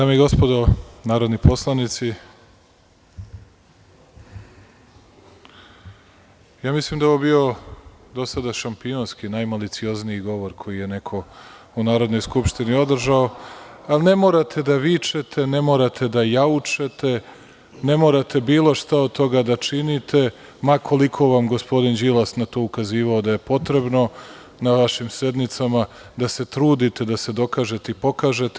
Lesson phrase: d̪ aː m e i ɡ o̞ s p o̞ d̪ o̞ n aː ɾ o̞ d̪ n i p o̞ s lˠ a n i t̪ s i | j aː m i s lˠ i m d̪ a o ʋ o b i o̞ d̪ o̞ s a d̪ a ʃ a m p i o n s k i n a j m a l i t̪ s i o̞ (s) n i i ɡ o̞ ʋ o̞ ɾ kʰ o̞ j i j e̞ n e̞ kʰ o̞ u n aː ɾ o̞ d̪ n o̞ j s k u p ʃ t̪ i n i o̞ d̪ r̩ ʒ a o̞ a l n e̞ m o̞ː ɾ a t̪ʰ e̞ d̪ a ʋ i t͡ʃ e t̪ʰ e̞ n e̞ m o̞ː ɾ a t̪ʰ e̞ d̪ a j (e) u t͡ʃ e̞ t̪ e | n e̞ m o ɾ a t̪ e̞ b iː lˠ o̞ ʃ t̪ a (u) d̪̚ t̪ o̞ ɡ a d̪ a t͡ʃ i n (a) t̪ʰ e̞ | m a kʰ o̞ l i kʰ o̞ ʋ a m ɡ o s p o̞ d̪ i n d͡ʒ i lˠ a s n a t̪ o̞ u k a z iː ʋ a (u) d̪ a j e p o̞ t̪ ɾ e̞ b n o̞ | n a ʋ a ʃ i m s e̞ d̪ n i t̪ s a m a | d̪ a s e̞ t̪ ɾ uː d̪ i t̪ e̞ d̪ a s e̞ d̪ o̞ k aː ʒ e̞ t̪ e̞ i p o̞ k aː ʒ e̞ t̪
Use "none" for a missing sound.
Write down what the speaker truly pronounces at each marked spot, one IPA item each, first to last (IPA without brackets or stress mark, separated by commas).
z, a, o, i, o